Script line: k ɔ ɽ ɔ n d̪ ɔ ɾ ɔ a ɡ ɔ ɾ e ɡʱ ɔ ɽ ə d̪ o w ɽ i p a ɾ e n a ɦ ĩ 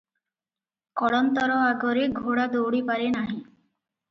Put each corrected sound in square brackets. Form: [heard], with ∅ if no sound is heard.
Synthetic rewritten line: k ɔ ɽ ɔ n [t̪] ɔ ɾ ɔ a ɡ ɔ ɾ e ɡʱ [o] ɽ [a] d̪ o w ɽ i p a ɾ e n a ɦ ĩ